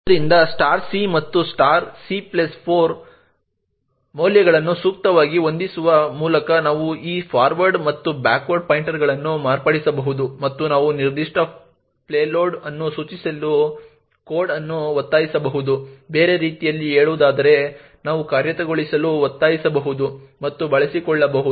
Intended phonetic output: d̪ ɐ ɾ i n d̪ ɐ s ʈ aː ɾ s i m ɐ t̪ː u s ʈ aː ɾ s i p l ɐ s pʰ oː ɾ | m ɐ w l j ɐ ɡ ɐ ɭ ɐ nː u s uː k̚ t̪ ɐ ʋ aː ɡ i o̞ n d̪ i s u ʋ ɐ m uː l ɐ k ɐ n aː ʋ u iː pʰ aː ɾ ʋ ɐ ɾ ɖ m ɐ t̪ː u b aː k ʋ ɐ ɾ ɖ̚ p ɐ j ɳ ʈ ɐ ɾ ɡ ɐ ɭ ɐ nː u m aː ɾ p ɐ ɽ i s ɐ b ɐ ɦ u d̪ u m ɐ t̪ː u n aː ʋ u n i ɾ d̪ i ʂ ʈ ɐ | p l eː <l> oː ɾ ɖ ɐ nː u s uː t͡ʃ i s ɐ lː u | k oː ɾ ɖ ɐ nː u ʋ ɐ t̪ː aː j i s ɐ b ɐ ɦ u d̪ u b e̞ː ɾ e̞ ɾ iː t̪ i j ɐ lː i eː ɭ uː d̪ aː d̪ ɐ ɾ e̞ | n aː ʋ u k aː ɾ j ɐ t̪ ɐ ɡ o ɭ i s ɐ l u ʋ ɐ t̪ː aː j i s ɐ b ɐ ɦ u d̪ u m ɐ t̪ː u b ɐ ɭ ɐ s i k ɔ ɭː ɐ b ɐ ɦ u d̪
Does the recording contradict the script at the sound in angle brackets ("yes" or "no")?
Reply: no